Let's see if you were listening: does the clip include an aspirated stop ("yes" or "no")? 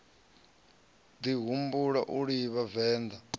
no